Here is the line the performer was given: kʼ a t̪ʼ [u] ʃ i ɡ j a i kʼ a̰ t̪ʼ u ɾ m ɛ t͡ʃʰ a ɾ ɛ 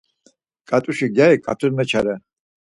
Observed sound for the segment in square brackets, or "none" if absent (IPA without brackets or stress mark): u